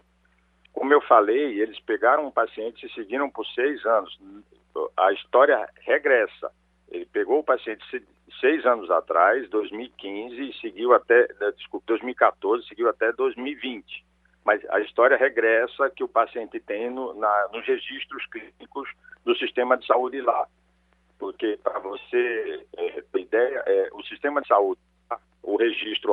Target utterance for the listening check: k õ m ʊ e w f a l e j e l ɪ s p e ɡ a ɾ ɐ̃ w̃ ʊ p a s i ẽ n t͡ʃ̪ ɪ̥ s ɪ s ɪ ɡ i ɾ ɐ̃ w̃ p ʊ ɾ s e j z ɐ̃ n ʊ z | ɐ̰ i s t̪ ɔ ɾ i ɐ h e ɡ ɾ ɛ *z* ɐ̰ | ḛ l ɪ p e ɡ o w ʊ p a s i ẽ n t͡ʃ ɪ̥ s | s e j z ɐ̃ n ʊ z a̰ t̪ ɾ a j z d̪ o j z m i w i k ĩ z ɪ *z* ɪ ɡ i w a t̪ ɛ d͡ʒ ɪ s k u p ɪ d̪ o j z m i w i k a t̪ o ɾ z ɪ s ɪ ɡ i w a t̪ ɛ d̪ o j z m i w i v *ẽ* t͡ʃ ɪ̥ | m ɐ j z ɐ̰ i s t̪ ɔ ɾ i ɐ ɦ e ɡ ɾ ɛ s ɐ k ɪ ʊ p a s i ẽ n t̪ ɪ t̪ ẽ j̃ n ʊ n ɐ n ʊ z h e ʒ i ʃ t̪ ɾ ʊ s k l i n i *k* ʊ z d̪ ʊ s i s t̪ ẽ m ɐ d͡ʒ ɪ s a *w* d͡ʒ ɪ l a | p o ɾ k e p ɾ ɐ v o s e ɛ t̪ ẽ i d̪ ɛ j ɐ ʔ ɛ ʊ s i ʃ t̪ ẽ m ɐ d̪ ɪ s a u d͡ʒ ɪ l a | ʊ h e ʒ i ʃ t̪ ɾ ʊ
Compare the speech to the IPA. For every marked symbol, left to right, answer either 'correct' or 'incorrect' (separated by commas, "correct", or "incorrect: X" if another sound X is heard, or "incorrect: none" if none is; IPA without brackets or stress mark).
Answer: incorrect: s, incorrect: s, incorrect: ĩ, correct, incorrect: u